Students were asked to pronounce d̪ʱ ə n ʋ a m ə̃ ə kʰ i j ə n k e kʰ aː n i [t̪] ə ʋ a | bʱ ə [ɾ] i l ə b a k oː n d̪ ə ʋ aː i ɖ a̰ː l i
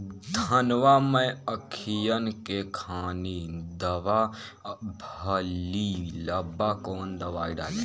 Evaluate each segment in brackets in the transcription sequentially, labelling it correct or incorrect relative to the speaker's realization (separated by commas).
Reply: incorrect, incorrect